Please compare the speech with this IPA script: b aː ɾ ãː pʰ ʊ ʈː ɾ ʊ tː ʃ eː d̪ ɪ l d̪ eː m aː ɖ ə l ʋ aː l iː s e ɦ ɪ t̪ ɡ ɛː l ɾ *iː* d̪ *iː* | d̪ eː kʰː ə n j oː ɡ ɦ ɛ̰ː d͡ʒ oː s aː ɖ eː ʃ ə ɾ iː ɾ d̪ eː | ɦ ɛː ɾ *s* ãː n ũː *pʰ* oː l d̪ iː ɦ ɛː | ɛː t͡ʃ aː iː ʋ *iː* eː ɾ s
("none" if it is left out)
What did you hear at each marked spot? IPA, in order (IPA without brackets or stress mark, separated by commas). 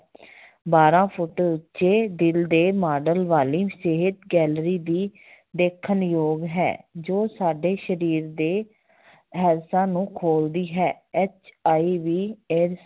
iː, iː, s, kʰ, iː